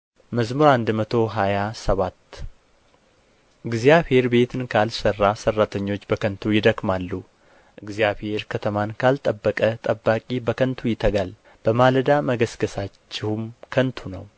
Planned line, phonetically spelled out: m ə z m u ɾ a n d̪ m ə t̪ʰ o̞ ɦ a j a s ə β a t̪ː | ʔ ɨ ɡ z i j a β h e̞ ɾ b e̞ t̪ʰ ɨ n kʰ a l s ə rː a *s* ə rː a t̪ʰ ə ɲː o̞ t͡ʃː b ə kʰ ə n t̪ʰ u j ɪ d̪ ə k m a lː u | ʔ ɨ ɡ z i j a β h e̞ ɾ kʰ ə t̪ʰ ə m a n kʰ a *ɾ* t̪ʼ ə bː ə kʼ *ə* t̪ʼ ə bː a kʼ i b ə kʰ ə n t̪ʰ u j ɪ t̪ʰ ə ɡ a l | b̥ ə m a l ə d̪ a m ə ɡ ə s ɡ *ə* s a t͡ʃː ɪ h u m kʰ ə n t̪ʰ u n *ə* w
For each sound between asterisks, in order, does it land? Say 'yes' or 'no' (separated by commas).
yes, no, yes, yes, yes